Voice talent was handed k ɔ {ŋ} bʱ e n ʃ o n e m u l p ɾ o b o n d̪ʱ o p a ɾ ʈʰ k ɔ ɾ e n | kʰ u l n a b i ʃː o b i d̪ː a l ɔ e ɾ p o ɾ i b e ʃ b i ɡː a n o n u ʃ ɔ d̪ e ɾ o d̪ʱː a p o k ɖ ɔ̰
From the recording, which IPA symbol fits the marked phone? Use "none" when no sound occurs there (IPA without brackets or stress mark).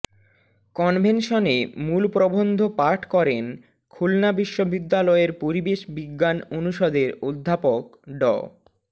n